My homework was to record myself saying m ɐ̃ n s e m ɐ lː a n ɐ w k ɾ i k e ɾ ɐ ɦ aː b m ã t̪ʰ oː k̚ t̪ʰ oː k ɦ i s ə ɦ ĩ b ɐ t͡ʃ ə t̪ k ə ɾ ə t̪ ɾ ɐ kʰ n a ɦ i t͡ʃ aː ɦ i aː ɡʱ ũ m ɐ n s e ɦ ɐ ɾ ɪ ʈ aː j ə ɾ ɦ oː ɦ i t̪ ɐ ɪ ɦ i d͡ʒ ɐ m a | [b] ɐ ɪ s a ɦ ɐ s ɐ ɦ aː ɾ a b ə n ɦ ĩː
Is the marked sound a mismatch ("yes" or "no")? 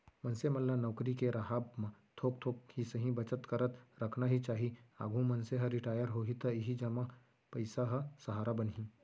yes